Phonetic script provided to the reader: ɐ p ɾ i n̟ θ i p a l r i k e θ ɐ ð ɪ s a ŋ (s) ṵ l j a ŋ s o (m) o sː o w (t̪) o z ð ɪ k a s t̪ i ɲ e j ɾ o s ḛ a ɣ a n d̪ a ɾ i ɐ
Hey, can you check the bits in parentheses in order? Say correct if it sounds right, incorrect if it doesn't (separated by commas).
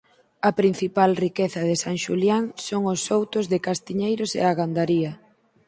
incorrect, incorrect, correct